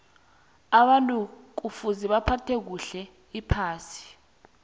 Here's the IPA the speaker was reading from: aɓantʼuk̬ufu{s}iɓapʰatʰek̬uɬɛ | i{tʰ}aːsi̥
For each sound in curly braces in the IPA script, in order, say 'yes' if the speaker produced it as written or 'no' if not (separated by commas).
no, no